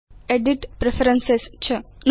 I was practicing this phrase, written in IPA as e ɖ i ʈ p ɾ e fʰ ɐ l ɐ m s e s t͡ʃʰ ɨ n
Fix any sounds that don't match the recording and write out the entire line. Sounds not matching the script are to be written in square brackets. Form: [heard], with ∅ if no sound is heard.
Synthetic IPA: e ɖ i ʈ p ɾ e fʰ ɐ [ɾ] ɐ [n] s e s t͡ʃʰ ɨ n